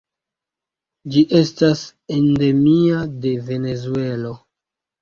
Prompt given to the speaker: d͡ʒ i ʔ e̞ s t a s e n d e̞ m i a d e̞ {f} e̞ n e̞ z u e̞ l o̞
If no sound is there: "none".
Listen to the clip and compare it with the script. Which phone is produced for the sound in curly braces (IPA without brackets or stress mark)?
v